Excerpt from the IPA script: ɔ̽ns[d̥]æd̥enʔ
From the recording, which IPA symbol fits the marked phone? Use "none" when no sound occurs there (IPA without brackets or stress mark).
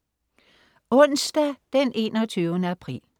d̥